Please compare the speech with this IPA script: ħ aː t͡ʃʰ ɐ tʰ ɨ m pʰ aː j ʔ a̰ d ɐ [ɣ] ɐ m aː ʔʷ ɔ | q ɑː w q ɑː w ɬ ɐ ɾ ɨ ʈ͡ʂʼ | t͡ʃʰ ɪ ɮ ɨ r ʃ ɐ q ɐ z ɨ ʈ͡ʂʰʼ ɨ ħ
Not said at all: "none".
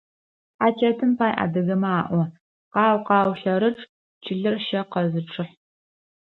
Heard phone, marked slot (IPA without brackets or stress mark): ɣ